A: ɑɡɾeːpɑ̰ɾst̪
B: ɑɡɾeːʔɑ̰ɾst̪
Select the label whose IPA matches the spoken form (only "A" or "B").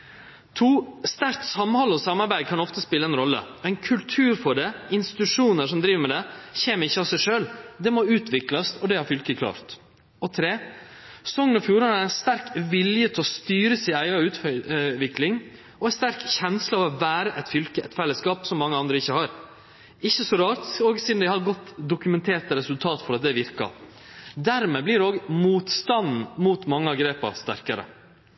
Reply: A